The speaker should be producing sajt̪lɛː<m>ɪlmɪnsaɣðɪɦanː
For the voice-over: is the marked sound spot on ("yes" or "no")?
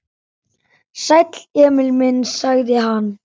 yes